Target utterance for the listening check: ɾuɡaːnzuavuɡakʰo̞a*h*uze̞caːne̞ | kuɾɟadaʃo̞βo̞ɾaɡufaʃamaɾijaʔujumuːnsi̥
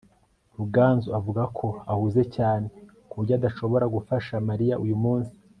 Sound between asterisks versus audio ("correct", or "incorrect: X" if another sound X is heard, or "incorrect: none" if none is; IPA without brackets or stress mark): correct